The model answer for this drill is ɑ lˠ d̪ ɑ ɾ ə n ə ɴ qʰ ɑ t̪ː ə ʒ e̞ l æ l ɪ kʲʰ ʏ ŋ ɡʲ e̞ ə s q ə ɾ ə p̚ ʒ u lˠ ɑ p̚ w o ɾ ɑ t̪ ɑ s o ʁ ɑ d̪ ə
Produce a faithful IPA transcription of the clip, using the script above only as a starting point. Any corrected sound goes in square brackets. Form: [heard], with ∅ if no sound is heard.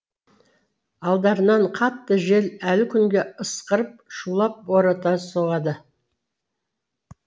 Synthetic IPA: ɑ lˠ d̪ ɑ ɾ ə n [ɑ] ɴ qʰ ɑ t̪ː ə ʒ e̞ l æ l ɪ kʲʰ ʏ ŋ ɡʲ e̞ ə s q ə ɾ ə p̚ [ʃ] u lˠ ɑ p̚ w o ɾ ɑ t̪ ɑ s o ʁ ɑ d̪ ə